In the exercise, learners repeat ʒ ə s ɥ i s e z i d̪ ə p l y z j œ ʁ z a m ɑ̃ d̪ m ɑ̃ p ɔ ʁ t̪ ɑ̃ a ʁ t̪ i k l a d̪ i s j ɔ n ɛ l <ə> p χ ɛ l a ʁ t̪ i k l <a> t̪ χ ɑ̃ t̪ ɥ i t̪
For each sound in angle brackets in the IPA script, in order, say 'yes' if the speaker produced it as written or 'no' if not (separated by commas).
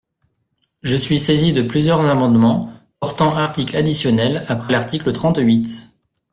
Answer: no, no